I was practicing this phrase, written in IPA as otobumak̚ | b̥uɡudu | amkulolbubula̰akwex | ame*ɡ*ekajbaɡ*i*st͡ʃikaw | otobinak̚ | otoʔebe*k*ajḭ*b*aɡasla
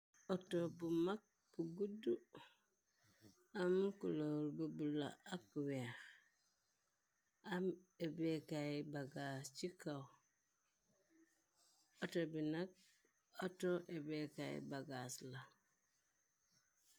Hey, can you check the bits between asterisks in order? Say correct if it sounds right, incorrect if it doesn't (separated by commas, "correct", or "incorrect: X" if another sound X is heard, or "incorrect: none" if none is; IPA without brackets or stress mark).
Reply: incorrect: b, incorrect: a, correct, correct